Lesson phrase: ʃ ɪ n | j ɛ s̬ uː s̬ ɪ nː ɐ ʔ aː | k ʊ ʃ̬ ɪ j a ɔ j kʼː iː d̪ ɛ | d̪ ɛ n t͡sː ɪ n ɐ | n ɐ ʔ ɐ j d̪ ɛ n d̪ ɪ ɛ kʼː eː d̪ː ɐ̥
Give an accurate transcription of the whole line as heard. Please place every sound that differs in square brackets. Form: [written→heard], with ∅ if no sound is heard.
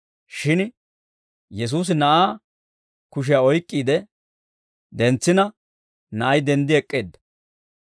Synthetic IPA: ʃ ɪ n | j ɛ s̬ uː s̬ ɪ [nː→n] ɐ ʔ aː | k ʊ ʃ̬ ɪ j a ɔ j kʼː iː d̪ ɛ | d̪ ɛ n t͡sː ɪ n ɐ | n ɐ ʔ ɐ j d̪ ɛ n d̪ ɪ ɛ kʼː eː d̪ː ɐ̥